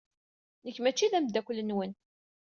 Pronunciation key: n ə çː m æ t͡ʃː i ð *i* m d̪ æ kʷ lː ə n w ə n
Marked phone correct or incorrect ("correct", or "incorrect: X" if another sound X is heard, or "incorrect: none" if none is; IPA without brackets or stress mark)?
incorrect: æ